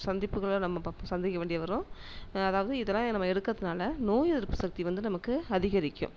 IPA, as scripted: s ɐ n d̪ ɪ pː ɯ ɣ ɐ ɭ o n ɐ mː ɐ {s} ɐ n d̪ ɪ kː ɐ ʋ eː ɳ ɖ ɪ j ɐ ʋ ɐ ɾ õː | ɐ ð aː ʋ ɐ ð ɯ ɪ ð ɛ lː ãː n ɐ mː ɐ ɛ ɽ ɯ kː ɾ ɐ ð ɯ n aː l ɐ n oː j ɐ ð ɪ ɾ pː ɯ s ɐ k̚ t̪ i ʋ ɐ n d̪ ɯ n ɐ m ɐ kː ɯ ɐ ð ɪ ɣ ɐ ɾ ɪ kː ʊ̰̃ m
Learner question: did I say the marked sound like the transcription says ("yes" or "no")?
yes